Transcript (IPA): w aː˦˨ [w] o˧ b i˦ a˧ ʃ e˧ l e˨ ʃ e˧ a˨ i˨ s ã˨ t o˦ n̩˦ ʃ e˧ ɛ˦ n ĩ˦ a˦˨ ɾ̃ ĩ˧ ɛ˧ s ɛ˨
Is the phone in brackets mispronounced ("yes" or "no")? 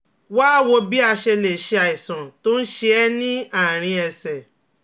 no